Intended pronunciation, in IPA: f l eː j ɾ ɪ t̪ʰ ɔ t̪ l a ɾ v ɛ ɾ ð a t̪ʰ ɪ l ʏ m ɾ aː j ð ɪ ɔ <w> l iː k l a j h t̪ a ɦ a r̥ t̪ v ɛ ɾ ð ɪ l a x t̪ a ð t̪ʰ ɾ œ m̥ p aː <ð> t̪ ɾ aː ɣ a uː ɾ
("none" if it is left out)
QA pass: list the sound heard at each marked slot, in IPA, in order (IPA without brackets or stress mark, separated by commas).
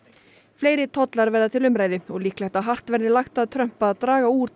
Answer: ɣ, ð